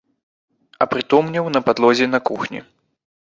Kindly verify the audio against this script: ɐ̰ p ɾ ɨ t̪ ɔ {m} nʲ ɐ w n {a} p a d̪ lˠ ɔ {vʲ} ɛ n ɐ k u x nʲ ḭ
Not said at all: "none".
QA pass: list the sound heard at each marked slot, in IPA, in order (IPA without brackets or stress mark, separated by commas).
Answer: m, ɐ, zʲ